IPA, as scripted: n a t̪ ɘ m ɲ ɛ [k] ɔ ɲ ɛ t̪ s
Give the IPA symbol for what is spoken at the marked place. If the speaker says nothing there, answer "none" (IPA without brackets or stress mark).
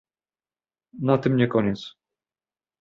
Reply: k